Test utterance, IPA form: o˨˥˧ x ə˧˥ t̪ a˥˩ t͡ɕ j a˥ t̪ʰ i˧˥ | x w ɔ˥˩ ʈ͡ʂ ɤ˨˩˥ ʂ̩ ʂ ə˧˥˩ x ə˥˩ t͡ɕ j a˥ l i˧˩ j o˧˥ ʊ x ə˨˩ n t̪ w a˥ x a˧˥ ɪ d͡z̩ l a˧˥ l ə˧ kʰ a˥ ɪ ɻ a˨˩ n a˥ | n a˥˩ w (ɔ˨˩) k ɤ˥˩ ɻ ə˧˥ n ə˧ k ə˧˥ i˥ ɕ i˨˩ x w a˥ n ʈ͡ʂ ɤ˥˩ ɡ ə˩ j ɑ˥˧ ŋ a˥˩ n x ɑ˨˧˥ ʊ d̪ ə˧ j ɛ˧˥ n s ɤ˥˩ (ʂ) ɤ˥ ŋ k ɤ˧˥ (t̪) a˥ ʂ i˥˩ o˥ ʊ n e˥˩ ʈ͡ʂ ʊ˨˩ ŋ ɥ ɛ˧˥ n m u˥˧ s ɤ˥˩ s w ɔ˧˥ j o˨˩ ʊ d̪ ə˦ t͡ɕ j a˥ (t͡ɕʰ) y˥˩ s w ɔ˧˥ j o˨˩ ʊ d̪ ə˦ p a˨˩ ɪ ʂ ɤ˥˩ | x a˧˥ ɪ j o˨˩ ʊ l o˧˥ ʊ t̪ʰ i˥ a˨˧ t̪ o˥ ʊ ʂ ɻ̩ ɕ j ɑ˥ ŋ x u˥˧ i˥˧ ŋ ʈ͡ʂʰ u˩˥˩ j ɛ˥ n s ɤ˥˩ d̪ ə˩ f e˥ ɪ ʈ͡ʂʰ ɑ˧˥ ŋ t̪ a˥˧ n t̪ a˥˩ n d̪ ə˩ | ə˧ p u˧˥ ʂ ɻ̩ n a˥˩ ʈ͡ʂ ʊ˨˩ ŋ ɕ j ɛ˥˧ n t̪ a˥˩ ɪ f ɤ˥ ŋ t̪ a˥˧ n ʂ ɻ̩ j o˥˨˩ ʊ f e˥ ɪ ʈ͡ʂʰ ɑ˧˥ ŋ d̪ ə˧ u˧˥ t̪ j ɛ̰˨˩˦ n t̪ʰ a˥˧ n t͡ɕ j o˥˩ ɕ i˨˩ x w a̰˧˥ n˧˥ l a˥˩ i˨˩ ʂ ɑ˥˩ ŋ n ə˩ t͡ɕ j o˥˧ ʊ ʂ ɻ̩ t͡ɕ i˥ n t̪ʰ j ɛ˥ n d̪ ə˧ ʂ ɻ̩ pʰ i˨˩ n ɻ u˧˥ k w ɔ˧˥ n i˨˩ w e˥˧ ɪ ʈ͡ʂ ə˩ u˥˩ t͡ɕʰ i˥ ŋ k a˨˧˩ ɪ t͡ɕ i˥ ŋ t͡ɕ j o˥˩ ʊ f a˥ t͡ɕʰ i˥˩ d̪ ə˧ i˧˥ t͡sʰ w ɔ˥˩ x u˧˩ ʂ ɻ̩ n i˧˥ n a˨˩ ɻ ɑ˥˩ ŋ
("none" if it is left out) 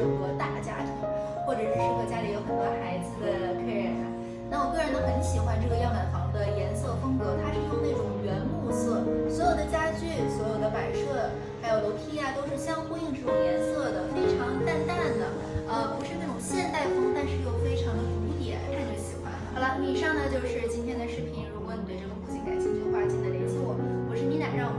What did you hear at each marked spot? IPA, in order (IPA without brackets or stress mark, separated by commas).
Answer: ɔ˨˩, f, t̪ʰ, t͡ɕ